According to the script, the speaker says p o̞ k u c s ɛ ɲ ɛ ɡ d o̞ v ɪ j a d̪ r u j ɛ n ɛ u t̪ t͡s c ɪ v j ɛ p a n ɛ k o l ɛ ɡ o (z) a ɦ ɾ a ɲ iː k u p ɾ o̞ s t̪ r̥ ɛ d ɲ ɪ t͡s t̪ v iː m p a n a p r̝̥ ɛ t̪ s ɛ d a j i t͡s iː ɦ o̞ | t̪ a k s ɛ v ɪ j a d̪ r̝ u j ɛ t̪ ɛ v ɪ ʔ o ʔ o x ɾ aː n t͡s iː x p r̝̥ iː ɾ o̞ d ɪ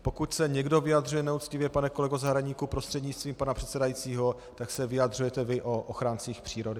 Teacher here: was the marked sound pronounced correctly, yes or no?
yes